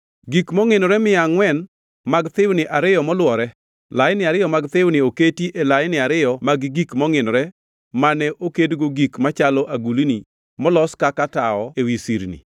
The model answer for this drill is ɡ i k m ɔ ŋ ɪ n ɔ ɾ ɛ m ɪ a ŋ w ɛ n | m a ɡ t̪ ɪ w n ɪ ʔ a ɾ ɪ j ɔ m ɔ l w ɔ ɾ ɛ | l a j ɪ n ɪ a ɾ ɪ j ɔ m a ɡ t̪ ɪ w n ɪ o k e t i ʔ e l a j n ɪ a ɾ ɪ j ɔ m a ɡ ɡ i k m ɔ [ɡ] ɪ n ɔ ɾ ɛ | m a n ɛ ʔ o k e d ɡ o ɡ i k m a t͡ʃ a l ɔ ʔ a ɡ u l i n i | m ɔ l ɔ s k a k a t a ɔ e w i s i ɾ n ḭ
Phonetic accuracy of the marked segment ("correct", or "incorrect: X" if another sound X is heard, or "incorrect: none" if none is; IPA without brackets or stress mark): incorrect: ŋ